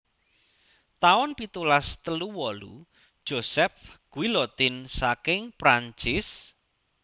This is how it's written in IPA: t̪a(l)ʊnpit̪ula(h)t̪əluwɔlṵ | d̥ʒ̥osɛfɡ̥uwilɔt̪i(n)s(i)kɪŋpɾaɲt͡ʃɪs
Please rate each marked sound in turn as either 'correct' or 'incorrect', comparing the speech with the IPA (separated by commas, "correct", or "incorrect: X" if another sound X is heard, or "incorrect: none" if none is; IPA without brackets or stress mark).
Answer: incorrect: none, incorrect: s, correct, incorrect: a